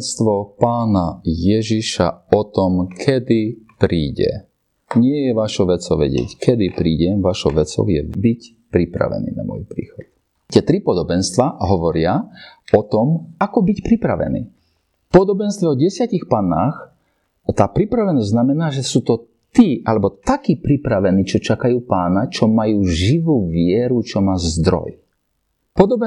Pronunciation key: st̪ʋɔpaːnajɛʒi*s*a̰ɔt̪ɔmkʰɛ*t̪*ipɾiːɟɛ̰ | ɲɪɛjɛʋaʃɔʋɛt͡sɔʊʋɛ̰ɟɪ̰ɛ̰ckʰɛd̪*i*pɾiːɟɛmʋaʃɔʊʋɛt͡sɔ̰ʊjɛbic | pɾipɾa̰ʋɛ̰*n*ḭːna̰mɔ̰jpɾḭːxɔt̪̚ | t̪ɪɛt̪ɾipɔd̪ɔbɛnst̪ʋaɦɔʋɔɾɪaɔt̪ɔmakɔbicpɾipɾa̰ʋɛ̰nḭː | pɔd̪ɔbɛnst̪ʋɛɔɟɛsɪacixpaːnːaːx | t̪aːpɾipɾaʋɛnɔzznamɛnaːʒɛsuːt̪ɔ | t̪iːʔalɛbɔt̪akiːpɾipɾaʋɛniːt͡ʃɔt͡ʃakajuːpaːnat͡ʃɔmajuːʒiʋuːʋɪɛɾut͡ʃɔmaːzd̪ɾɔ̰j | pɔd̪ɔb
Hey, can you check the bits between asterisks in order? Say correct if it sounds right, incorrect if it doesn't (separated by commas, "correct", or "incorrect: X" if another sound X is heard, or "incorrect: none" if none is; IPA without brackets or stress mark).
incorrect: ʃ, incorrect: d̪, correct, correct